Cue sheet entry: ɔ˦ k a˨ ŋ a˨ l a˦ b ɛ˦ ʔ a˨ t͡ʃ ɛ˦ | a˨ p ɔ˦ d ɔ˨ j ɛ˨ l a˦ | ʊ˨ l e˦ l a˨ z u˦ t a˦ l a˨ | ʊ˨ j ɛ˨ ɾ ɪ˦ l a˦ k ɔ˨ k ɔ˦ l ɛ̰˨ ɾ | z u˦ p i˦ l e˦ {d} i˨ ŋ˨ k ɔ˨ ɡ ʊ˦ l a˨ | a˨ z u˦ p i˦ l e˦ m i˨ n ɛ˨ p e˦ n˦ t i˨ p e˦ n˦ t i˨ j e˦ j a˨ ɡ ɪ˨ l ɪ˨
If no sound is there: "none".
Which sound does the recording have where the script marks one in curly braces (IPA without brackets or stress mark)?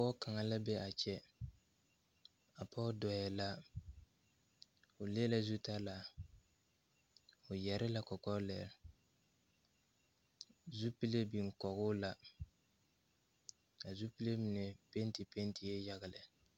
b